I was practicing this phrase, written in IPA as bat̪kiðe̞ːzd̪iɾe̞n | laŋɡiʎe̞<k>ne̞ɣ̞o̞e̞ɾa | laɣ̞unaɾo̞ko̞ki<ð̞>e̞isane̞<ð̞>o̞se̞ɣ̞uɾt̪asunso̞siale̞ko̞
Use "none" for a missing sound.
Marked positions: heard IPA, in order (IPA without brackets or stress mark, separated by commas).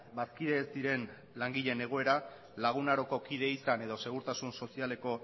none, ð̞, ð̞